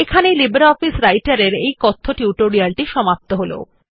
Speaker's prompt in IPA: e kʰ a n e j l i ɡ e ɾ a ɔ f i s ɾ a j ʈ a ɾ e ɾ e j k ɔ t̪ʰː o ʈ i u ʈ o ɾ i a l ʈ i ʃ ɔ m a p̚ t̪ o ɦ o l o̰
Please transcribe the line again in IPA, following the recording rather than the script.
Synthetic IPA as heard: e kʰ a n e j l i b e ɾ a ɔ f i s ɾ a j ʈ a ɾ e ɾ e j k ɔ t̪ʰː o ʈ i u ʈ o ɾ i a l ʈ i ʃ ɔ m a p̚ t̪ o ɦ o l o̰